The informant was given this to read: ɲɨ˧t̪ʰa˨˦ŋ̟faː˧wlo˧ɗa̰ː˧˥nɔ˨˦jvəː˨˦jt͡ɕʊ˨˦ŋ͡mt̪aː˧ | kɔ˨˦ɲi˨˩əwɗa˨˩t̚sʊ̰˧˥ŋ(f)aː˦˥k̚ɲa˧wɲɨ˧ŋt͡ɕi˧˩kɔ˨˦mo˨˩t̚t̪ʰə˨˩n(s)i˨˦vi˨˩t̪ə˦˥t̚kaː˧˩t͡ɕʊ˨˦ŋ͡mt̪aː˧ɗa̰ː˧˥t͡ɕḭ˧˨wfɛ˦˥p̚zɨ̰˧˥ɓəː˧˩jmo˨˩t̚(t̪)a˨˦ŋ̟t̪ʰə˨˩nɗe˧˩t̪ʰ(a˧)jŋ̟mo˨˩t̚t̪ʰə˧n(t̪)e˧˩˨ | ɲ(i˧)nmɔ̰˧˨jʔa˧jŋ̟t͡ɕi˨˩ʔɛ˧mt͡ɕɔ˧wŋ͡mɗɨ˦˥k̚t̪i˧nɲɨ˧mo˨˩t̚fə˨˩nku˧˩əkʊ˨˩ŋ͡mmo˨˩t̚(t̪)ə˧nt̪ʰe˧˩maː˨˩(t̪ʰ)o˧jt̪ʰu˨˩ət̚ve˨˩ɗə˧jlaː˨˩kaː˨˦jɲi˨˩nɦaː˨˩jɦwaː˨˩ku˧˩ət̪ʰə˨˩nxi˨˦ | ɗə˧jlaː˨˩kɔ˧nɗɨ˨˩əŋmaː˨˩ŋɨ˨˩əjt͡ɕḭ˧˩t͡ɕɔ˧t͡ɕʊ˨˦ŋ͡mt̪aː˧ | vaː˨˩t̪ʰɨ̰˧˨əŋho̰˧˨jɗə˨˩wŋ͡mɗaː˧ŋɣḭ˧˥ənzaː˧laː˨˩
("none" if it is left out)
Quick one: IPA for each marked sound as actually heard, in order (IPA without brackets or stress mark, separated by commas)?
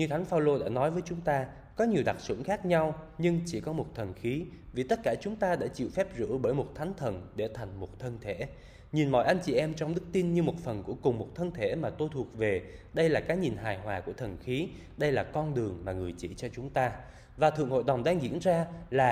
x, x, t̪ʰ, a˨˩, t̪ʰ, i˨˩, t̪ʰ, t̪